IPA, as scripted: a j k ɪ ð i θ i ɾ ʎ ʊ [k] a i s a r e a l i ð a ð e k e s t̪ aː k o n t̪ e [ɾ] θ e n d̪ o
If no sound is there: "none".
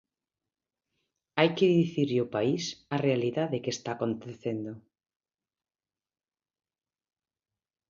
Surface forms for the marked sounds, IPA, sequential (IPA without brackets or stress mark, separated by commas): p, none